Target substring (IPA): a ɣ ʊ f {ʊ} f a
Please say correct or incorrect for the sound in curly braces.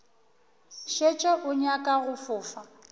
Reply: incorrect